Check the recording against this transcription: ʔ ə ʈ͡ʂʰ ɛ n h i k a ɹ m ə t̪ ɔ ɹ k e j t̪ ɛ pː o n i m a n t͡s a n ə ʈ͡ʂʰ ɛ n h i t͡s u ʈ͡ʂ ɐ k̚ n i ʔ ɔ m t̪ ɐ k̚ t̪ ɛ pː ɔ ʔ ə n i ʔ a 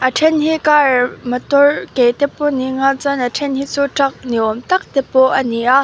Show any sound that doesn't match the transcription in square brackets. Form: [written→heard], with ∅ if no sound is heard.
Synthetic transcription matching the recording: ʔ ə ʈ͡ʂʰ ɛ n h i k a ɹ m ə t̪ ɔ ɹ k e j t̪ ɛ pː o n i [m→ŋ] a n t͡s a n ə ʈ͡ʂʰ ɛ n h i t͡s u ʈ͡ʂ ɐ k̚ n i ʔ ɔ m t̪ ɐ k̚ t̪ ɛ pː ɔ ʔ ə n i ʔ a